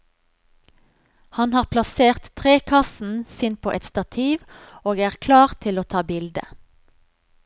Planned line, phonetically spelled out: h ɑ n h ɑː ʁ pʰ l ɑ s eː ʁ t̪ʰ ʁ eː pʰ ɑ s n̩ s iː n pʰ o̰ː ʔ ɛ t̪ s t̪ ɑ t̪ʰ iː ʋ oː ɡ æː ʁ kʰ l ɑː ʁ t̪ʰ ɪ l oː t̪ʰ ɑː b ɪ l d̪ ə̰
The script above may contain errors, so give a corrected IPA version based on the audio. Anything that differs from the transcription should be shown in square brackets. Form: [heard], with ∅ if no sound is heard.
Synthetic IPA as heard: h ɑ n h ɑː ʁ pʰ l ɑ s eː ʁ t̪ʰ ʁ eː [kʰ] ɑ s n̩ s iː n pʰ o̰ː ʔ ɛ t̪ s t̪ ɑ t̪ʰ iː ʋ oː ɡ æː ʁ kʰ l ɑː ʁ t̪ʰ ɪ l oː t̪ʰ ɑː b ɪ l d̪ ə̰